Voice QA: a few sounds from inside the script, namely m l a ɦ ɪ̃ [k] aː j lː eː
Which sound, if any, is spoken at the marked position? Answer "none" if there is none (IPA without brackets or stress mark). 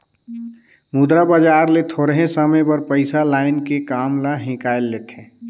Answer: k